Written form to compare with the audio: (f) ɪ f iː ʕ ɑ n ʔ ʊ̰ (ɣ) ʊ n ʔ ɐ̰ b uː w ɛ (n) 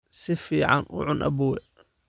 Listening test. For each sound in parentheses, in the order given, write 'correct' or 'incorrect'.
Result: incorrect, incorrect, incorrect

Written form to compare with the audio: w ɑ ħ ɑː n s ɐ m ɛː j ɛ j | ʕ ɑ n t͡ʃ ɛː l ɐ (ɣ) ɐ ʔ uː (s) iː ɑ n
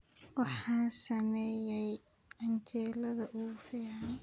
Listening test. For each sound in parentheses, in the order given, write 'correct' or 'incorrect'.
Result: incorrect, incorrect

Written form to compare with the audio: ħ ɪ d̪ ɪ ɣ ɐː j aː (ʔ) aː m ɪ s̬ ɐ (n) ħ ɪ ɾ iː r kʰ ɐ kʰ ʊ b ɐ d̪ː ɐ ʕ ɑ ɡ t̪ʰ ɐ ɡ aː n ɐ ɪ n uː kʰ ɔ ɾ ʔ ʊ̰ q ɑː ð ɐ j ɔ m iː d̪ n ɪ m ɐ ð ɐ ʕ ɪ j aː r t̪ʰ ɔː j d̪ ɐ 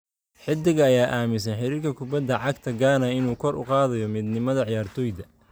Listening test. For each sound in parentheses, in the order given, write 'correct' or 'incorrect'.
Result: correct, correct

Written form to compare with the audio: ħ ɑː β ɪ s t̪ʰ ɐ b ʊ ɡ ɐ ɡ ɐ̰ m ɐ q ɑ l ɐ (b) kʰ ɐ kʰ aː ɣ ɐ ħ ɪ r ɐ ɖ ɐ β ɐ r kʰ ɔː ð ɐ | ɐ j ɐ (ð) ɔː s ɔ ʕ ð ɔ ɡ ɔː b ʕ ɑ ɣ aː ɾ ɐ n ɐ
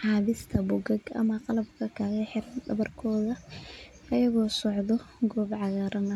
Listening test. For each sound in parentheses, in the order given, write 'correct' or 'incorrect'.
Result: correct, incorrect

